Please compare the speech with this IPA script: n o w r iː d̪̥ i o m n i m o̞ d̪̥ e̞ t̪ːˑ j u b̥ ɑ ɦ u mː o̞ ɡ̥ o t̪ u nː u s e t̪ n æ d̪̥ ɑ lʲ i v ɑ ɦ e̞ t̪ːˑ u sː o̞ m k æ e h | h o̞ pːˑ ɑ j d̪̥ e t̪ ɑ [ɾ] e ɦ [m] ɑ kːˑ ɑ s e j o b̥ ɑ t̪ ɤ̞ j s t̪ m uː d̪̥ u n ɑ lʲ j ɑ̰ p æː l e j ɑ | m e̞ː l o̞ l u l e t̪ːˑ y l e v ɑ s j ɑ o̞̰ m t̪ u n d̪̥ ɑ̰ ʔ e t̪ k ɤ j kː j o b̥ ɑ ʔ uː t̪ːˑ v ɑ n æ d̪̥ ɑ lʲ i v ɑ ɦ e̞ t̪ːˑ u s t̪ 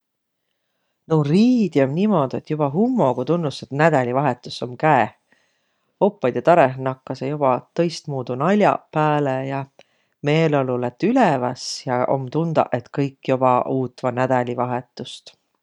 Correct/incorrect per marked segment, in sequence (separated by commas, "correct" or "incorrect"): correct, incorrect